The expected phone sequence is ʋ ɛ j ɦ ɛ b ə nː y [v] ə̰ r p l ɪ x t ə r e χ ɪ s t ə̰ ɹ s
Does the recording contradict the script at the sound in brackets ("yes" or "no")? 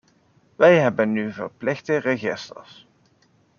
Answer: no